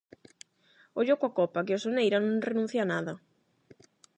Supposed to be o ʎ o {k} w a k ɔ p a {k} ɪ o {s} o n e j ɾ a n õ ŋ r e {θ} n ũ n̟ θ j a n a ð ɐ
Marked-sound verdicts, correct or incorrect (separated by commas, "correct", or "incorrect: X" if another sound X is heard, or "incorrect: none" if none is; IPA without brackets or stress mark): correct, correct, correct, incorrect: none